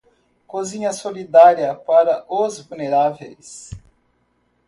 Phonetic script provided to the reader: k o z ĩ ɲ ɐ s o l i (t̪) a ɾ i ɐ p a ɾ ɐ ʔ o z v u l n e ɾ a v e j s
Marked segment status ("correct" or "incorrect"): incorrect